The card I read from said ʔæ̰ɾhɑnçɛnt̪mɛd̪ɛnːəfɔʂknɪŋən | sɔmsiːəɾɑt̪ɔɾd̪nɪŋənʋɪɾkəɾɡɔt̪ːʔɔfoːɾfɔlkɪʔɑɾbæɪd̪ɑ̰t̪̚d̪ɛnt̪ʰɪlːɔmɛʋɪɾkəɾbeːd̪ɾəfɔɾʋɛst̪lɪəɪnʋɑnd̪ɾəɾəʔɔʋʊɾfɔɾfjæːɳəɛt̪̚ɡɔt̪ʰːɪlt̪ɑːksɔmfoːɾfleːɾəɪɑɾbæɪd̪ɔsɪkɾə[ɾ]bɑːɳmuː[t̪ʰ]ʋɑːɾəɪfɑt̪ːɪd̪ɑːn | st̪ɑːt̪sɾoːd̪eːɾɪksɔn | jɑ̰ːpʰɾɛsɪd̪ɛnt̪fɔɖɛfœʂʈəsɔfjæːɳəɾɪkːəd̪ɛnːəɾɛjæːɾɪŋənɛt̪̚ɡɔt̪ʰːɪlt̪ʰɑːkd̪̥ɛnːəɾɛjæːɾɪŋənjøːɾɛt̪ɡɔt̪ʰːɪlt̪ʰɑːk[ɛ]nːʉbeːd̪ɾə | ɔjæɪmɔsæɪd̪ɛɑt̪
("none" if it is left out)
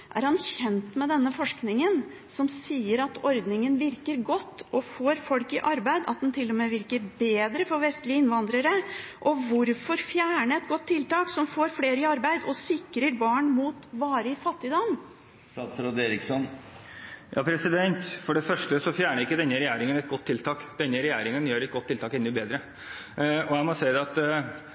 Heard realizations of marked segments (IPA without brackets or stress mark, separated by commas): ɾ, t̪, ɛ